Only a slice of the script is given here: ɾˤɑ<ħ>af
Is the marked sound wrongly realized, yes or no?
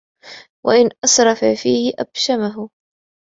yes